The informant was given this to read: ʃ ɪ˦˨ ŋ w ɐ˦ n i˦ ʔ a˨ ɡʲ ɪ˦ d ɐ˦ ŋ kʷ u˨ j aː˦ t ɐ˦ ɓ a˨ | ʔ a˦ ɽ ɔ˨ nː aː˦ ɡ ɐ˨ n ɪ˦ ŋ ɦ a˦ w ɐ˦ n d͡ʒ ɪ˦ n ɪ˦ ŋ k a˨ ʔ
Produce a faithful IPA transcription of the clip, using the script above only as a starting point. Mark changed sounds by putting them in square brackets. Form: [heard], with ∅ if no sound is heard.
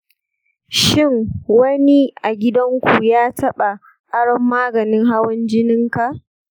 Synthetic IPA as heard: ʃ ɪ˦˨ ŋ w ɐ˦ n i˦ ʔ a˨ ɡʲ ɪ˦ d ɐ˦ ŋ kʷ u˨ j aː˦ t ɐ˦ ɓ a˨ | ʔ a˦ ɽ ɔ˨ [mː] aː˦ ɡ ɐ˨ n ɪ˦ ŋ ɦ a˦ w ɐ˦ n d͡ʒ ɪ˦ n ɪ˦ ŋ k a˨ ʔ